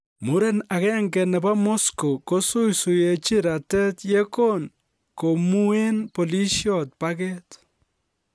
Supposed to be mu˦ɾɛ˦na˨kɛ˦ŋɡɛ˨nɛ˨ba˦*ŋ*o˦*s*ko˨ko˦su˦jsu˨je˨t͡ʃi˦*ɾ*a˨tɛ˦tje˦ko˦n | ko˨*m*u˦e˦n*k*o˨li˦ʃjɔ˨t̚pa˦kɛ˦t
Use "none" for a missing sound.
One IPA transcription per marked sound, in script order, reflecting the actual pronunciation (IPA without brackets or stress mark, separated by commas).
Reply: m, s, ɾ, m, p